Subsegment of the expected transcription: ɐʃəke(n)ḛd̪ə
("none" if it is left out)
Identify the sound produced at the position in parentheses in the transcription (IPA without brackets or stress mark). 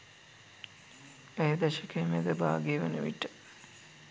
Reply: m